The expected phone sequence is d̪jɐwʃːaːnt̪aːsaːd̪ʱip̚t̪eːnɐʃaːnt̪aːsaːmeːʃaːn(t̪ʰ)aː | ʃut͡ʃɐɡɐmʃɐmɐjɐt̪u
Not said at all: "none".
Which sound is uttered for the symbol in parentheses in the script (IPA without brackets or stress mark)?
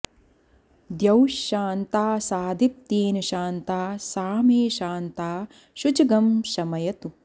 t̪